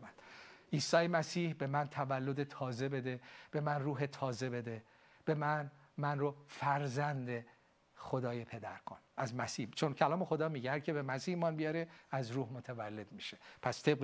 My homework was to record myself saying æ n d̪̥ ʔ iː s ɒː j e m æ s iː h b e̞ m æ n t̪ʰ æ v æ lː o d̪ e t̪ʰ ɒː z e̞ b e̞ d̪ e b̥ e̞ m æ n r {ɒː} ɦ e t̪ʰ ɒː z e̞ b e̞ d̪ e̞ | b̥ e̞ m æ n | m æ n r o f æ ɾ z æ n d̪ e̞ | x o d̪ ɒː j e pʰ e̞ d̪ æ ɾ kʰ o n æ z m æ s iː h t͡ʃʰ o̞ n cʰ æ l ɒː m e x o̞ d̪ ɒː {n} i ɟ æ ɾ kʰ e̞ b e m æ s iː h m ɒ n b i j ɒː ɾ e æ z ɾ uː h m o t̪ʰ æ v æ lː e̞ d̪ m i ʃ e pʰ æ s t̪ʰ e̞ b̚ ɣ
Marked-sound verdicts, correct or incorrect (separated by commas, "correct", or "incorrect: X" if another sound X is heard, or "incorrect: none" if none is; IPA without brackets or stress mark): incorrect: uː, incorrect: m